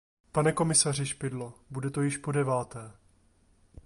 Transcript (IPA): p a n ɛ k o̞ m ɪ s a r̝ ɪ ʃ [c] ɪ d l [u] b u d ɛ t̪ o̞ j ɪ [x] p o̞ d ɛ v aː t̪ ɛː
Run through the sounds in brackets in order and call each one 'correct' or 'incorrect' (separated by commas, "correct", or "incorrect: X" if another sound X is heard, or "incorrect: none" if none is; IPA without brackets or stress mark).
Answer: incorrect: p, incorrect: o, incorrect: ʃ